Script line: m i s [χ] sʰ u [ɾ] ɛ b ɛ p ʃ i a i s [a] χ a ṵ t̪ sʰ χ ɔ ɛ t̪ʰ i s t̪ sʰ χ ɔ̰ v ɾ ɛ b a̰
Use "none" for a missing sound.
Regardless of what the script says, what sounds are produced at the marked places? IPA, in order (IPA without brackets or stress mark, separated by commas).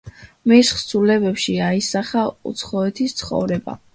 χ, l, a